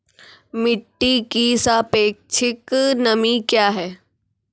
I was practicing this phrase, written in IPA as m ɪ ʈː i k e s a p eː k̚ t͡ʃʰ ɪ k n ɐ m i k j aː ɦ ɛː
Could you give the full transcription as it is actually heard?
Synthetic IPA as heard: m ɪ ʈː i k i s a p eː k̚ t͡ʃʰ ɪ k n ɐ m i k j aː ɦ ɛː

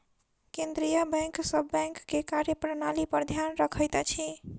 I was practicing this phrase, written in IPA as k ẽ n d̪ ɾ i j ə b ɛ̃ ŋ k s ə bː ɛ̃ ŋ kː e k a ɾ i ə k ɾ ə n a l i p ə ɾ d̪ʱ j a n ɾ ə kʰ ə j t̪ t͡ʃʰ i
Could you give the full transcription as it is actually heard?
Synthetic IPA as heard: k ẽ n d̪ ɾ i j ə b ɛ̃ ŋ k s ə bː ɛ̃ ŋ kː e k a ɾ j ə p ɾ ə n a l i p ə ɾ d̪ʱ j a n ɾ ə kʰ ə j t̪ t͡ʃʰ i

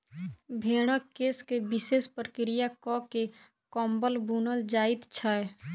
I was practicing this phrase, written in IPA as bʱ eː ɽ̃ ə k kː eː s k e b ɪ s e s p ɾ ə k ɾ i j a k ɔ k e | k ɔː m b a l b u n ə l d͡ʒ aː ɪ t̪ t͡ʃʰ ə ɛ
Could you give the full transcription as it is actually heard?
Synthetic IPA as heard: bʱ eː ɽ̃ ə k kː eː s k e b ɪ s e s p ɾ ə k ɾ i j a k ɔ k e | k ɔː m b ə l b u n ə l d͡ʒ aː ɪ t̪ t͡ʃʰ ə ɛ

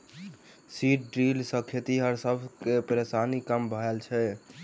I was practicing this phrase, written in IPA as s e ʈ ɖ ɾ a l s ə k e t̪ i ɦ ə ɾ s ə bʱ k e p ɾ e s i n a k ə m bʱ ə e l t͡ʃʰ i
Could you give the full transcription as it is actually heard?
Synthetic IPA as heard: s i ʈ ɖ ɾ i l s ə kʰ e t̪ i ɦ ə ɾ s ə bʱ k e p ɾ e s a n i k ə m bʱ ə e l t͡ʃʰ ɛ

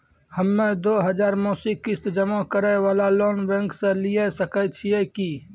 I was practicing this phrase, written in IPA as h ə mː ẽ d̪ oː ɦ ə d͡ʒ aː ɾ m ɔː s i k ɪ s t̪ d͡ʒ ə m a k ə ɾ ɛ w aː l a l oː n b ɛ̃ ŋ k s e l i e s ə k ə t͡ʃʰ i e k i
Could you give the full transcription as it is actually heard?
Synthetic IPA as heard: h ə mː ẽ d̪ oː ɦ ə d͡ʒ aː ɾ m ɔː s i k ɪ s t̪ d͡ʒ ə m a k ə ɾ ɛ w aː l a l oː n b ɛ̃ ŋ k s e l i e s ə k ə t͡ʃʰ i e k i

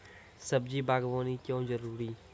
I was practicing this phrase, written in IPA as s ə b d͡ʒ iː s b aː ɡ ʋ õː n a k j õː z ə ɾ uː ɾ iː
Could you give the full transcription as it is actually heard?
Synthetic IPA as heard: s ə b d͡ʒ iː b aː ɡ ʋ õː n i k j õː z ə ɾ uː ɾ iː

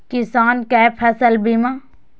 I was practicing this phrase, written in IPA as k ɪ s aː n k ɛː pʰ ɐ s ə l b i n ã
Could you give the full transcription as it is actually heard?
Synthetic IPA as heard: k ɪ s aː n k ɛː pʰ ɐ s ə l b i m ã

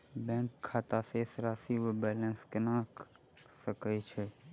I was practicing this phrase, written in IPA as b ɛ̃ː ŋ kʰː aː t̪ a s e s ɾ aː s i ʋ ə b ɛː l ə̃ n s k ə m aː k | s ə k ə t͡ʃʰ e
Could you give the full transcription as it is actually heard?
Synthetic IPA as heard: b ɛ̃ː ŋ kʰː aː t̪ a s e s ɾ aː s i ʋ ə b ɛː l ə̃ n s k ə n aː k | s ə k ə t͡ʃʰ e

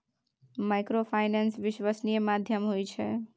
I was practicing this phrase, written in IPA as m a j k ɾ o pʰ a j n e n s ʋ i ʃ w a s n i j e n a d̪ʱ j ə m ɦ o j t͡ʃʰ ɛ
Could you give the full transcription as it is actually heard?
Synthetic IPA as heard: m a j k ɾ o pʰ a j n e n s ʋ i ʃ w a s n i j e m a d̪ʱ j ə m ɦ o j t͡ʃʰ ɛ

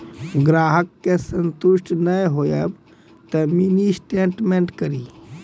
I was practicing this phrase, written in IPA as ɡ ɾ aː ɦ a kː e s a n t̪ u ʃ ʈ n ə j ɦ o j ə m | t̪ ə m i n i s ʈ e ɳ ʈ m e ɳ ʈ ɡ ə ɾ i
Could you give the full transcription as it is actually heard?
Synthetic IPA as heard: ɡ ɾ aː ɦ ə kː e s ə n t̪ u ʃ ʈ n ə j ɦ o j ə b | t̪ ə m i n i s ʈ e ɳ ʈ m e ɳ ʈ k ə ɾ i

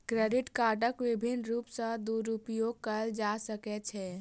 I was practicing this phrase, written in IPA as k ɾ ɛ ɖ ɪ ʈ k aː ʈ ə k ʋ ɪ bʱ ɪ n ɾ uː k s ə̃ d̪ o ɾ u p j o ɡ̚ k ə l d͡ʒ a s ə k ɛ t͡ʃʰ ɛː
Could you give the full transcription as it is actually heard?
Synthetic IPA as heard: k ɾ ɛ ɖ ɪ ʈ k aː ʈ ə k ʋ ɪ bʱ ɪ n ɾ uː p s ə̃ d̪ u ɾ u p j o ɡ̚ k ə l d͡ʒ a s ə k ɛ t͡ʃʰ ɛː

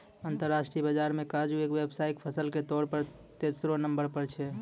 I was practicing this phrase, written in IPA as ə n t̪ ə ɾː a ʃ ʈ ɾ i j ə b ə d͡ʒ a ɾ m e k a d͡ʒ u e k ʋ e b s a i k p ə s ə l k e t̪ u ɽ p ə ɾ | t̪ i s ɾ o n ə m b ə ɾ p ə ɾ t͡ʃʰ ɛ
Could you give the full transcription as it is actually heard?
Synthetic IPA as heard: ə n t̪ ə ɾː a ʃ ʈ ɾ i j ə b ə d͡ʒ a ɾ m e k a d͡ʒ u e k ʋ e b s a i k pʰ ə s ə l k e t̪ ɔ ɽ p ə ɾ | t̪ e s ɾ o n ə m b ə ɾ p ə ɾ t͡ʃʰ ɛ

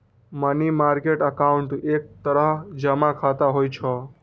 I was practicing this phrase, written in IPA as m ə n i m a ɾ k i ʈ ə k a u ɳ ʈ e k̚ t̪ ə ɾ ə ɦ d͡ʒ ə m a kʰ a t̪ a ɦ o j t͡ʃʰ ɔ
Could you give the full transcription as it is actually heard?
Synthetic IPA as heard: m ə n i m a ɾ k e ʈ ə k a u ɳ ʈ e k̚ t̪ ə ɾ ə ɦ d͡ʒ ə m a kʰ a t̪ a ɦ o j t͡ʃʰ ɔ

